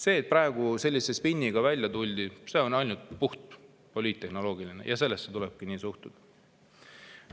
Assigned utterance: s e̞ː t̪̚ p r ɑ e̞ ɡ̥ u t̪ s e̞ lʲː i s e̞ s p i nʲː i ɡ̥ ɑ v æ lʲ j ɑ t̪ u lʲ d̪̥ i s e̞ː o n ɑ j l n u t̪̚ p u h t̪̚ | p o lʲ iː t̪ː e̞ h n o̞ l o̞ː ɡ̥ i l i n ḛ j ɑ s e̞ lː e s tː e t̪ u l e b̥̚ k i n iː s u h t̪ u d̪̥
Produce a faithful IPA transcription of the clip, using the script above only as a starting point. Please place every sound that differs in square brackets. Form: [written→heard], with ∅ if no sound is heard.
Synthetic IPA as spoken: s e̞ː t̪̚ p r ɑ e̞ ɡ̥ u [t̪→∅] s e̞ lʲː i s e̞ s p i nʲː i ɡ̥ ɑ v æ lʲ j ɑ t̪ u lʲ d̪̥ i s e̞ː o n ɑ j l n u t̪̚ p u h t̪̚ | p o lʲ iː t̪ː e̞ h n o̞ l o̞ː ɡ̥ i l i n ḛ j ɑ s e̞ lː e s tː e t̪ u l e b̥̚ k i n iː s u h t̪ u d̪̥